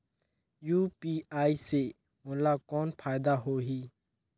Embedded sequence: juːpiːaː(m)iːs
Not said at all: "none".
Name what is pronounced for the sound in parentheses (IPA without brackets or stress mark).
none